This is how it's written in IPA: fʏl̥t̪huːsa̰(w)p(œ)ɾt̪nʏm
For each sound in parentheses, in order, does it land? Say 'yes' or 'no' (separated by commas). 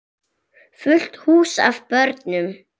no, yes